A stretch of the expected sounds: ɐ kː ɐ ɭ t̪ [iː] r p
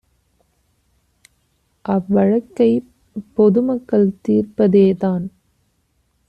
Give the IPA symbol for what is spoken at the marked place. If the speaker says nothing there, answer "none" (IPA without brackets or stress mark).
iː